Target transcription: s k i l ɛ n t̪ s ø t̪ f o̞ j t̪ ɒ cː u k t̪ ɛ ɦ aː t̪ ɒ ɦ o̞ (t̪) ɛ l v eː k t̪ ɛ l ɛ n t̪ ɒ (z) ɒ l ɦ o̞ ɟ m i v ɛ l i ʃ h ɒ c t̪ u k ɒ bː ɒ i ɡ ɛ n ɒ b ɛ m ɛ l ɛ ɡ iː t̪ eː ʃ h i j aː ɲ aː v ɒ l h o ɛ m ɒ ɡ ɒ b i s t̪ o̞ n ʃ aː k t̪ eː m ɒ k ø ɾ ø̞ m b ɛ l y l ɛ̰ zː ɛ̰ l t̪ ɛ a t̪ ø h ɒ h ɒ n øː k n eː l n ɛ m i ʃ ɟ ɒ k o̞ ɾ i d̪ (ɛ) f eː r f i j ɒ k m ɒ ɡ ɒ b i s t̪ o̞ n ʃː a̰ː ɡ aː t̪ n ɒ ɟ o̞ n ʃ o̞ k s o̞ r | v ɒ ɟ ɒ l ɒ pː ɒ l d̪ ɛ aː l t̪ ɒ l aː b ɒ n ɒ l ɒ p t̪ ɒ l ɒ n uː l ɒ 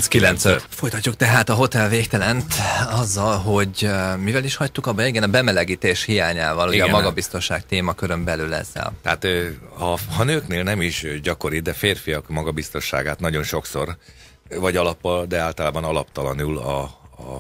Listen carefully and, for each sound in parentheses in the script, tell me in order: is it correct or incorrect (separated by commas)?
correct, incorrect, correct